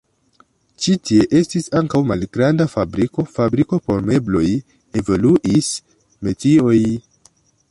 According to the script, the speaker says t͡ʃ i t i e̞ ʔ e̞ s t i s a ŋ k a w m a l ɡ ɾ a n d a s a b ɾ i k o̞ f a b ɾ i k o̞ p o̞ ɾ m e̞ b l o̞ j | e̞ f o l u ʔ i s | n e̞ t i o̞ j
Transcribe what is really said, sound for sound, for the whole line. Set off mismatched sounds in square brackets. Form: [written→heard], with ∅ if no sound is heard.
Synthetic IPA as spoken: t͡ʃ i t i e̞ ʔ e̞ s t i s a ŋ k a w m a l ɡ ɾ a n d a [s→f] a b ɾ i k o̞ f a b ɾ i k o̞ p o̞ ɾ m e̞ b l o̞ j | e̞ [f→v] o l u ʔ i s | [n→m] e̞ t i o̞ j